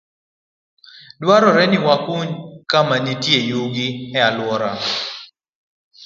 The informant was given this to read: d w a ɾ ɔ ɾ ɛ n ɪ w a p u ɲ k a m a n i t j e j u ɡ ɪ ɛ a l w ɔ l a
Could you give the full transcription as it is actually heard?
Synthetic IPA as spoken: d w a ɾ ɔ ɾ ɛ n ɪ w a k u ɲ k a m a n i t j e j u ɡ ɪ ɛ a l w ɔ ɾ a